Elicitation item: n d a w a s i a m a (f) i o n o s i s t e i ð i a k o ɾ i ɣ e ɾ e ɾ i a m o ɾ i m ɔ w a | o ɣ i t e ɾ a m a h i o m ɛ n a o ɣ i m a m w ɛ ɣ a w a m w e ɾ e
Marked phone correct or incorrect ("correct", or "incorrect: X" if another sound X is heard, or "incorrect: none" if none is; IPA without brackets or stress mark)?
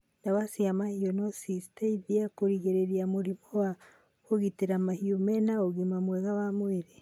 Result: incorrect: h